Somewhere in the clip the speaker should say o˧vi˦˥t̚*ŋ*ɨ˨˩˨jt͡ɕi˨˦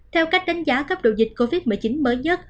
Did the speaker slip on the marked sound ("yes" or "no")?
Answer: yes